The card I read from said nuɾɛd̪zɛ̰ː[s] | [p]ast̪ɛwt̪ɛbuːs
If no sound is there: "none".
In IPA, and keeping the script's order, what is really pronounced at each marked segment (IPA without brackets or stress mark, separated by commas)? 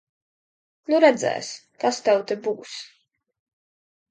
s, k